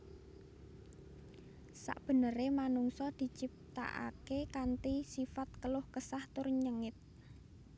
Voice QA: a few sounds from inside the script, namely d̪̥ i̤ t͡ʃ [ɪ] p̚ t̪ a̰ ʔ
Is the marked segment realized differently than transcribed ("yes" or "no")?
yes